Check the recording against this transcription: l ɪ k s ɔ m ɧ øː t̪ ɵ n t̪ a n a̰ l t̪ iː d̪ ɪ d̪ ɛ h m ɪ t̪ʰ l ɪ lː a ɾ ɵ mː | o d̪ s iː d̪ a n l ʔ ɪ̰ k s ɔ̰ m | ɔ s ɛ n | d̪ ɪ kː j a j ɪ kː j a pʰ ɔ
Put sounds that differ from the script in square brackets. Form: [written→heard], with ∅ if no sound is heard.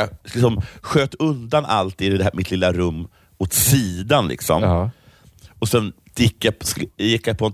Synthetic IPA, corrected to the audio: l ɪ k s ɔ m ɧ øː t̪ ɵ n [t̪→d̪] a n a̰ l t̪ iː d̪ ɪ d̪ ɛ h m ɪ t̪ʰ l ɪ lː a ɾ ɵ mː | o [d̪→t̪] s iː d̪ a n l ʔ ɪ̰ k s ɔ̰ m | ɔ s ɛ n | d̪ ɪ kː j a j ɪ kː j a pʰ ɔ